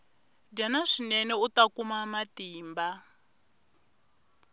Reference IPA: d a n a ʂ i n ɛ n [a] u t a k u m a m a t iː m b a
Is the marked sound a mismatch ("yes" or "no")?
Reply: yes